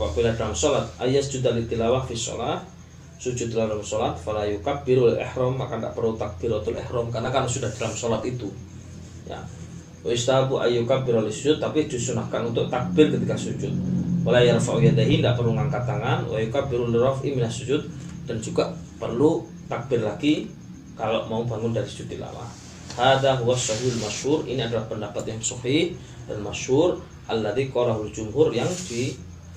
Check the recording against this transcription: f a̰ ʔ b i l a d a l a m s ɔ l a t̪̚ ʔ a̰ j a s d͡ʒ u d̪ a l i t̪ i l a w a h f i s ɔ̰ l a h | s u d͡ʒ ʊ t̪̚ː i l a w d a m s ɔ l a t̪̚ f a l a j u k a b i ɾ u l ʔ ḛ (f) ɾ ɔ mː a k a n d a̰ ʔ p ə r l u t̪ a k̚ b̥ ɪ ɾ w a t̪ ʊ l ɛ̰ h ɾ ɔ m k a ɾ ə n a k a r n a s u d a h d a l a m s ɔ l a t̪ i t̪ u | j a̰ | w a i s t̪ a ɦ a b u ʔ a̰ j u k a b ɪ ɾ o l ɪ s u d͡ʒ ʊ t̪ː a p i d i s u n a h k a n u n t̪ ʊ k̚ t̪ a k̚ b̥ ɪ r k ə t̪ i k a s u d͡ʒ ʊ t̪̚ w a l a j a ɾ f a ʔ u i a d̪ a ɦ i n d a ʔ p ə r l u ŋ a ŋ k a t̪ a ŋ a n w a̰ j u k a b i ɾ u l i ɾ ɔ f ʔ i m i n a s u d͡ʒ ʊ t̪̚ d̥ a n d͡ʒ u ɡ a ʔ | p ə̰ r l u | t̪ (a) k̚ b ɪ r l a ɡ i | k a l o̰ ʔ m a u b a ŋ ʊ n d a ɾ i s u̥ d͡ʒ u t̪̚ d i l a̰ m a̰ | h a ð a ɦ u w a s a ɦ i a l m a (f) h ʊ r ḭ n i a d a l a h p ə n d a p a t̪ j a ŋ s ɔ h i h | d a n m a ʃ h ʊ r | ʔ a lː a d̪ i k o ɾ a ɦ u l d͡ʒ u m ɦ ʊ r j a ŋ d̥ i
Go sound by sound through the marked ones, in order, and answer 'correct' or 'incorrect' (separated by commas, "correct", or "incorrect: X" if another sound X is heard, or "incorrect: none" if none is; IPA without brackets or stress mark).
incorrect: h, correct, incorrect: ʃ